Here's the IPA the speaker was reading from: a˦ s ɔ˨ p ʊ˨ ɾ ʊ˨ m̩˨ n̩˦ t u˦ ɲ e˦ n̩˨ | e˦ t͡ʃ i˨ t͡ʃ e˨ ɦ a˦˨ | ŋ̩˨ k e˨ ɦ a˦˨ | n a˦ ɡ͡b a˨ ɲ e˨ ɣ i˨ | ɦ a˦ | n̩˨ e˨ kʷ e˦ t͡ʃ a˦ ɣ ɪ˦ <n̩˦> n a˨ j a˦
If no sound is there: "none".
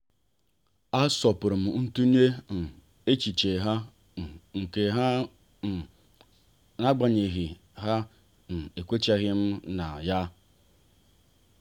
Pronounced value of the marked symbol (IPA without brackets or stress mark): m̩˦